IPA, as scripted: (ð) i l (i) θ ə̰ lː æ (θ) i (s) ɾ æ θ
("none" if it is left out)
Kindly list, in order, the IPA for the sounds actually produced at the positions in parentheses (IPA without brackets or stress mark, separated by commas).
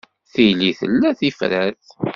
θ, i, θ, f